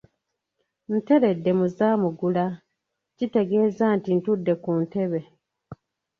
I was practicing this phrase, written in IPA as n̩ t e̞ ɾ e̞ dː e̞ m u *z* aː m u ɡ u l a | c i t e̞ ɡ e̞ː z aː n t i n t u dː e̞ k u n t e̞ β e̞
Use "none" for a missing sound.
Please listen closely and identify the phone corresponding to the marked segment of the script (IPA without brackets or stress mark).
z